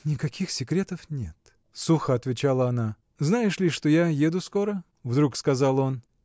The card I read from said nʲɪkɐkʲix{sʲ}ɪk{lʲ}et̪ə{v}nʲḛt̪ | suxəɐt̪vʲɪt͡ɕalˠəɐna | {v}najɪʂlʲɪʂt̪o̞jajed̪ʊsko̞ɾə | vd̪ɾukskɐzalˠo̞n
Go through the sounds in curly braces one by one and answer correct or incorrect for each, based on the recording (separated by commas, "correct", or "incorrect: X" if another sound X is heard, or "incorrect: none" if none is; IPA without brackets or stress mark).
correct, incorrect: ɾʲ, incorrect: f, incorrect: z